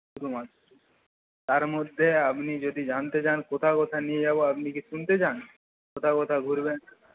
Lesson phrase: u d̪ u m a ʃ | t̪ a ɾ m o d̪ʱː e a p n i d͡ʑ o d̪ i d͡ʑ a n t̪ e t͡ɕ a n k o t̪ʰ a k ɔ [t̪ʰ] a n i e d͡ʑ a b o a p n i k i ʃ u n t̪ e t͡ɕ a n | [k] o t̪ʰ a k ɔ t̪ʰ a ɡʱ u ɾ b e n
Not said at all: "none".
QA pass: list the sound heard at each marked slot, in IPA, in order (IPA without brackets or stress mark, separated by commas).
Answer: t̪ʰ, k